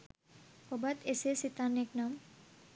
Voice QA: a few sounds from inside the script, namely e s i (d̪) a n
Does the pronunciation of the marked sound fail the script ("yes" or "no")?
yes